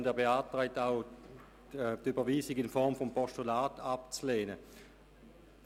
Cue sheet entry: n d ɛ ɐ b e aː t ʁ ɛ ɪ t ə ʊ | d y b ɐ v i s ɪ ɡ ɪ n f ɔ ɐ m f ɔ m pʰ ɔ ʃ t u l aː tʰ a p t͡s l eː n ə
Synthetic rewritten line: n d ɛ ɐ b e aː t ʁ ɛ ɪ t a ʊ | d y b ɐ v iː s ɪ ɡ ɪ n f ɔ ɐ m f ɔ m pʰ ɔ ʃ t u l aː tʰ a p t͡s l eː n ə